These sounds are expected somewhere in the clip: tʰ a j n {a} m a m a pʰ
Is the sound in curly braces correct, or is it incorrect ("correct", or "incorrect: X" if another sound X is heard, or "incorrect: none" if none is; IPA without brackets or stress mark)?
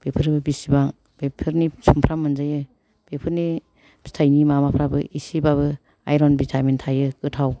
incorrect: i